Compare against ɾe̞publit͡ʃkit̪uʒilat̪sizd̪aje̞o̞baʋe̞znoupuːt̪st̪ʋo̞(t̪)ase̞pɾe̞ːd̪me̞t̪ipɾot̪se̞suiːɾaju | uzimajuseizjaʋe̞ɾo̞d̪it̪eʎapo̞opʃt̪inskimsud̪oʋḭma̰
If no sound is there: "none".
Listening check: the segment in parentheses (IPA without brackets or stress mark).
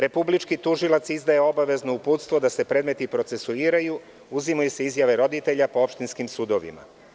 d̪